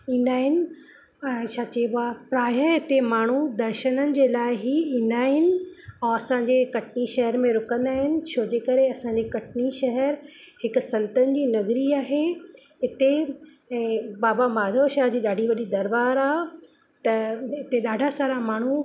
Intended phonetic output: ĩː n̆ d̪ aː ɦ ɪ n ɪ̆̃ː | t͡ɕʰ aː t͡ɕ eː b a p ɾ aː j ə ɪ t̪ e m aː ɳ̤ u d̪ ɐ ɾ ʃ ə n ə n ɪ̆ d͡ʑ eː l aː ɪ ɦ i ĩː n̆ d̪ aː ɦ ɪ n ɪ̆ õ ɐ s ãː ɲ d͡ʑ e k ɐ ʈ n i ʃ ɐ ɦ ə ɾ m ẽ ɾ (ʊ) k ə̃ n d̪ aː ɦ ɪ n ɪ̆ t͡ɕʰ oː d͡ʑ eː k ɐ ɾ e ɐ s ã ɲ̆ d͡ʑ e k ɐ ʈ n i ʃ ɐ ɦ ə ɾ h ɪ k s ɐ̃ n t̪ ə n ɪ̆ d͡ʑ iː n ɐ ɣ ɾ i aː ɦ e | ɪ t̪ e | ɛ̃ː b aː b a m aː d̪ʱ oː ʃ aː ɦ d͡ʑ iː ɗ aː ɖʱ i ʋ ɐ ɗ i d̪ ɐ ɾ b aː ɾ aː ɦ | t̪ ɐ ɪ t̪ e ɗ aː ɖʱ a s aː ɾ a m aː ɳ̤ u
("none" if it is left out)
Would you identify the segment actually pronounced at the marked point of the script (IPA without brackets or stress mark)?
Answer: ʊ